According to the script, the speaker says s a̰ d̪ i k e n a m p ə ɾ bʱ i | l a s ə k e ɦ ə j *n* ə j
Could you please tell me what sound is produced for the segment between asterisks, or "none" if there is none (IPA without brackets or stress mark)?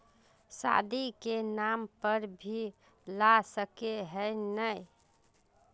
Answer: n